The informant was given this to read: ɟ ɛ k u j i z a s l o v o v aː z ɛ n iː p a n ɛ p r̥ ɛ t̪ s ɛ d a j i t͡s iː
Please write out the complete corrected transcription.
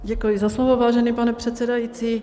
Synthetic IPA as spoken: ɟ ɛ k u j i z a s l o v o v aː ʒ ɛ n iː p a n ɛ p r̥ ɛ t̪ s ɛ d a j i t͡s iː